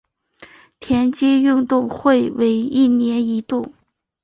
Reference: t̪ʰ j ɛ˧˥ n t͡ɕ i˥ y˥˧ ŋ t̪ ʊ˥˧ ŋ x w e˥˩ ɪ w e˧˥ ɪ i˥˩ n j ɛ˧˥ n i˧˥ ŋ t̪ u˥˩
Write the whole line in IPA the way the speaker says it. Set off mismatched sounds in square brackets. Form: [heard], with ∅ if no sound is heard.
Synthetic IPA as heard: t̪ʰ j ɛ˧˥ n t͡ɕ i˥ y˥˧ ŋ t̪ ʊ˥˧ ŋ x w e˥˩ ɪ w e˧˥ ɪ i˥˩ n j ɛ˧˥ n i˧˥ [∅] t̪ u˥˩